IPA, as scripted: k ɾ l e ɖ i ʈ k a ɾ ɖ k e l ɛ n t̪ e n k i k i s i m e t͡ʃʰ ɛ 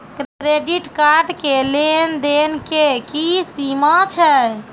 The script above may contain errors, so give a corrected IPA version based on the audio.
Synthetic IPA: k ɾ ɾ e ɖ i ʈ k a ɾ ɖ k e l e n d̪ e n k e k i s i m a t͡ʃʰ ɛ